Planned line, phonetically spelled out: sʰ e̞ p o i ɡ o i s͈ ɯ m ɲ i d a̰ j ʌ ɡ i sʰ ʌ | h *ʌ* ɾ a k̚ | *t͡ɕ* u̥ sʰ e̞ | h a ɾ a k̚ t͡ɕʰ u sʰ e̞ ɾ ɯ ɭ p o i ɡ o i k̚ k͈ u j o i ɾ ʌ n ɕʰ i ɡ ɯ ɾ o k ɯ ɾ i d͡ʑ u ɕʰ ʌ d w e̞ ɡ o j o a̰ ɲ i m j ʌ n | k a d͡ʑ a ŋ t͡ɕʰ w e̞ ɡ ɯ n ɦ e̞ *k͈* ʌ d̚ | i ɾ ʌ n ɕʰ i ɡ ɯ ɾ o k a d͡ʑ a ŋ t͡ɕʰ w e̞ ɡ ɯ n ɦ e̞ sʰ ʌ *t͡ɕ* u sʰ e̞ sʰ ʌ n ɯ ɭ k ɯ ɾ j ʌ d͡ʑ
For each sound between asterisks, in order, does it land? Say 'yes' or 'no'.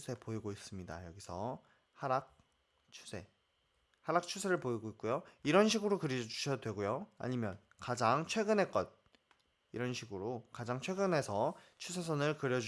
no, no, yes, no

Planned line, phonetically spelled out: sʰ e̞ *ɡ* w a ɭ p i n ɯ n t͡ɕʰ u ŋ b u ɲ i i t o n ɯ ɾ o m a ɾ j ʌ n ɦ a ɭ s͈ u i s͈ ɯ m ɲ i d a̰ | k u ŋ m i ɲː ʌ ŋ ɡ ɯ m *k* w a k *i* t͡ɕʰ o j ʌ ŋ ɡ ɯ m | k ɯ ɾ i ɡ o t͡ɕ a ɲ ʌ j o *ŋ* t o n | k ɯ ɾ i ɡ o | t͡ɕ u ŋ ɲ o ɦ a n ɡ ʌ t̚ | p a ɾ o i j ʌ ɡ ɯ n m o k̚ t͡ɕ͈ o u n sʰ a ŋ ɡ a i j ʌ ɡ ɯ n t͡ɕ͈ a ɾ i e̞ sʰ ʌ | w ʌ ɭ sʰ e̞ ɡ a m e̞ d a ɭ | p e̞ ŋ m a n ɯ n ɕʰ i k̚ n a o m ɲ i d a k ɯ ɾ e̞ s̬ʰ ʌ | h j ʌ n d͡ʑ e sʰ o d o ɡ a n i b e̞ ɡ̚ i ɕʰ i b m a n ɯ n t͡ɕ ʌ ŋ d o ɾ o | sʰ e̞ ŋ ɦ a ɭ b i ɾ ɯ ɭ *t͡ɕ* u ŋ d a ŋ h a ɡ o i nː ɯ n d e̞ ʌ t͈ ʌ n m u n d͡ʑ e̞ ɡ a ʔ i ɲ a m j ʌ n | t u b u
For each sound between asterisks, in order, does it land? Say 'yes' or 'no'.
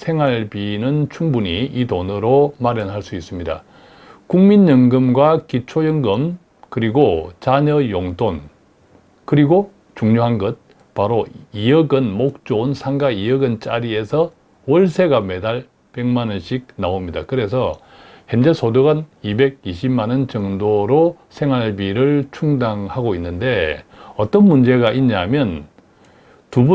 no, no, yes, yes, no

